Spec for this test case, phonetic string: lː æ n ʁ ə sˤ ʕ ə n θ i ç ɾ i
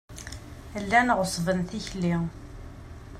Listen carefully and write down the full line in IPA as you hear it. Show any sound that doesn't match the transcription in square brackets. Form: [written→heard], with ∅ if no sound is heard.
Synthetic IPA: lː æ n ʁ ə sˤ [ʕ→v] ə n θ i ç [ɾ→l] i